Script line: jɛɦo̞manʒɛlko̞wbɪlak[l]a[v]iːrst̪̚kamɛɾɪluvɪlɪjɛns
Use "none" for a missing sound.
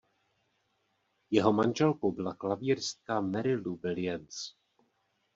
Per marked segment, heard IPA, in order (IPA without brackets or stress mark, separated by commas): l, v